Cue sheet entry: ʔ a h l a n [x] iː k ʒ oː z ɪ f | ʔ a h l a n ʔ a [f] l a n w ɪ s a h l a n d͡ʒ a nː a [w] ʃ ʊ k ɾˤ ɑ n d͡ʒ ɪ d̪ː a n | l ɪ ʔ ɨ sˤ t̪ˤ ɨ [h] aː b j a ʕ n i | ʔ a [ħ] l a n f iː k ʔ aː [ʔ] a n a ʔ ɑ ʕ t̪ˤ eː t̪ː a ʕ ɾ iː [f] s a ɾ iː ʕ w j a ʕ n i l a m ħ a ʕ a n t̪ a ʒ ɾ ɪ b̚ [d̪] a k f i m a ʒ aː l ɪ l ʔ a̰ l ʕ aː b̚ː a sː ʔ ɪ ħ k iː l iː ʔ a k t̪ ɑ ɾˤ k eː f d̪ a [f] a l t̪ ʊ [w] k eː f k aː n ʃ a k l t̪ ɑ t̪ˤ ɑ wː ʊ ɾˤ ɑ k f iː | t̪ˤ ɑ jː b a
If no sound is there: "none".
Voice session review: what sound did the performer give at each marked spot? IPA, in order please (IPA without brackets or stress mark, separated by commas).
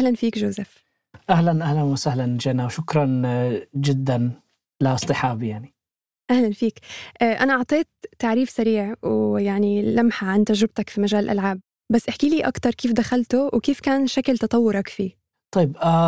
f, h, w, ħ, h, ʔ, f, t̪, x, w